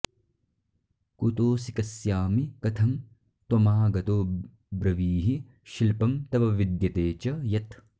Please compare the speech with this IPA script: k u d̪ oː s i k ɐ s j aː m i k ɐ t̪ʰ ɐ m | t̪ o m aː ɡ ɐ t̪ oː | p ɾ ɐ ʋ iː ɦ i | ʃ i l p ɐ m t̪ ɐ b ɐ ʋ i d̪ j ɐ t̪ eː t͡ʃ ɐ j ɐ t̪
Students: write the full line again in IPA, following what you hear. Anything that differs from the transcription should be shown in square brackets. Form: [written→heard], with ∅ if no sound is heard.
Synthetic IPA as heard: k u [d̪→t̪] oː s i k ɐ s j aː m i k ɐ t̪ʰ ɐ m | t̪ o m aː ɡ ɐ t̪ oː | [p→b] ɾ ɐ ʋ iː ɦ i | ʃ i l p ɐ m t̪ ɐ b ɐ ʋ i d̪ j ɐ t̪ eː t͡ʃ ɐ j ɐ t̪